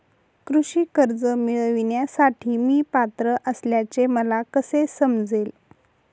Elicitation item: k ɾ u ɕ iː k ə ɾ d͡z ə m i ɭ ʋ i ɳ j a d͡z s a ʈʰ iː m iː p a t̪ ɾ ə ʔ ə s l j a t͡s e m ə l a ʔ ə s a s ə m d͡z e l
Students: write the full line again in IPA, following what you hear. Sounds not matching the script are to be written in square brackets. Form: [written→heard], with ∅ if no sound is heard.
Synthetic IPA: k ɾ u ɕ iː k ə ɾ d͡z ə m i ɭ ʋ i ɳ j a [d͡z→∅] s a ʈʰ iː m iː p a t̪ ɾ ə ʔ ə s l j a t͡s e m ə l a [ʔ→k] ə s [a→e] s ə m d͡z e l